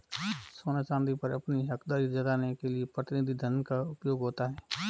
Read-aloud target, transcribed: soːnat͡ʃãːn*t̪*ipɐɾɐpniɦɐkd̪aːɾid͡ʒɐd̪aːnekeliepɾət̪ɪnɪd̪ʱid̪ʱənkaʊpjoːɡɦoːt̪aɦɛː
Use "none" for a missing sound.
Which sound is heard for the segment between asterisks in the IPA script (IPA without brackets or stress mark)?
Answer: d̪